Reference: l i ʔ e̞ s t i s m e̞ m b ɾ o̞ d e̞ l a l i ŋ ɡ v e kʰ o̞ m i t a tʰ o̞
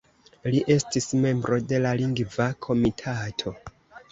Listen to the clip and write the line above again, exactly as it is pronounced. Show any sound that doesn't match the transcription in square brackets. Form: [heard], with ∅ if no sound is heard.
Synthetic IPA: l i ʔ e̞ s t i s m e̞ m b ɾ o̞ d e̞ l a l i ŋ ɡ v [a] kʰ o̞ m i [tʰ] a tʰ o̞

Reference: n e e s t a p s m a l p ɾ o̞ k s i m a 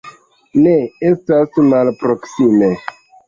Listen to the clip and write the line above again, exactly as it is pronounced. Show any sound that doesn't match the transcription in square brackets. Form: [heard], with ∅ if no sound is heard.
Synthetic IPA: n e e s t a [∅] s m a l p ɾ o̞ k s i m [e]

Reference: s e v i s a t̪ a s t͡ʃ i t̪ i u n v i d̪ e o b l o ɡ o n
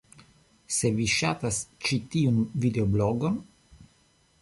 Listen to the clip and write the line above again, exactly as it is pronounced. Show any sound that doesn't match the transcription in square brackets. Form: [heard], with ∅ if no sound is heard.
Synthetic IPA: s e v i [ʃ] a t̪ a s t͡ʃ i t̪ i u n v i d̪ e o b l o ɡ o n

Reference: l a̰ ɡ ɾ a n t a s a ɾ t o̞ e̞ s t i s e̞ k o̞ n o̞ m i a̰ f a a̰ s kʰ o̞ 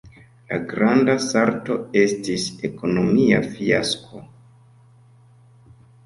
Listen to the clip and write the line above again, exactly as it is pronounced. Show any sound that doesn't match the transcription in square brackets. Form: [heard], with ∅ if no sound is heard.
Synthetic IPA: l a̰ ɡ ɾ a n [d] a s a ɾ t o̞ e̞ s t i s e̞ k o̞ n o̞ m i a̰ f [i] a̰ s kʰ o̞

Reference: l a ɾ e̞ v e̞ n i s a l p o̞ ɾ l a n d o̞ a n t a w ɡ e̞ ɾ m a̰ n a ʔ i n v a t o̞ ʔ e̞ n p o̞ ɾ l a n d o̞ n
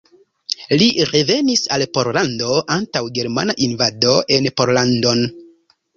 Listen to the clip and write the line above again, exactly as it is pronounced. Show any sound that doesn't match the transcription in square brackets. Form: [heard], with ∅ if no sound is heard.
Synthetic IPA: l [i] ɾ e̞ v e̞ n i s a l p o̞ ɾ l a n d o̞ a n t a w ɡ e̞ ɾ m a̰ n a ʔ i n v a [d] o̞ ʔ e̞ n p o̞ ɾ l a n d o̞ n

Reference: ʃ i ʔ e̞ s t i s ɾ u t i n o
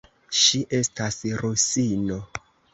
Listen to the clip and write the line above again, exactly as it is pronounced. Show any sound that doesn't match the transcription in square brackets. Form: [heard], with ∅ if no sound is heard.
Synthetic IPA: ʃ i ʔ e̞ s t [a] s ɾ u [s] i n o

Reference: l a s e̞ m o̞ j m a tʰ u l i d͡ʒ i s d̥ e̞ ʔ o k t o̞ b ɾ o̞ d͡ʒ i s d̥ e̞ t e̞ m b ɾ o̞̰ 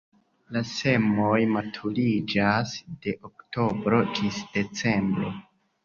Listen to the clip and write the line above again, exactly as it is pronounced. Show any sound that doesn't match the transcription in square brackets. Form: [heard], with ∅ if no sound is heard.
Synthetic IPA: l a s e̞ m o̞ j m a tʰ u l i d͡ʒ [a] s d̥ e̞ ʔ o k t o̞ b ɾ o̞ d͡ʒ i s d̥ e̞ [t͡s] e̞ m b ɾ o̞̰

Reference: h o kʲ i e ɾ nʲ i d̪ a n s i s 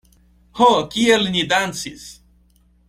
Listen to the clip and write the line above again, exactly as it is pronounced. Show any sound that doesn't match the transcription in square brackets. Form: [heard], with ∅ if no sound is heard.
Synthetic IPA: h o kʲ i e [l] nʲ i d̪ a n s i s

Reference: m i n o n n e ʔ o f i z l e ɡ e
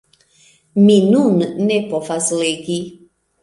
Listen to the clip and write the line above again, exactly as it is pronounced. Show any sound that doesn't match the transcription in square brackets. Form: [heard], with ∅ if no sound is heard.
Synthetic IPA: m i n [u] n n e [p] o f [a] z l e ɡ [i]

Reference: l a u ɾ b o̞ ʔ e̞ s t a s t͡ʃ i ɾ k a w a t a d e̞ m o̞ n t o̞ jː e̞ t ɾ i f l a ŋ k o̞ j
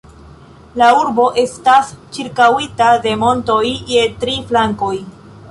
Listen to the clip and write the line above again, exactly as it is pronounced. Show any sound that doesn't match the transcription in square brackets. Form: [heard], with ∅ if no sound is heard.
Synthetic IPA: l a u ɾ b o̞ ʔ e̞ s t a s t͡ʃ i ɾ k a w [i] t a d e̞ m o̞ n t o̞ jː e̞ t ɾ i f l a ŋ k o̞ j

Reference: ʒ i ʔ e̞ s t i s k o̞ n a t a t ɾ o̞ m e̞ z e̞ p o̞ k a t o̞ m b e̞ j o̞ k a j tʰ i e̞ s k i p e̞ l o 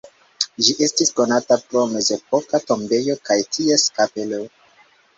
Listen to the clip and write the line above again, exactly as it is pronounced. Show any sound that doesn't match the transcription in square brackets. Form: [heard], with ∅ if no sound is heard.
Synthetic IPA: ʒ i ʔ e̞ s t i s k o̞ n a t a [p] ɾ o̞ m e̞ z e̞ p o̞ k a t o̞ m b e̞ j o̞ k a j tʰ i e̞ s k [a] p e̞ l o

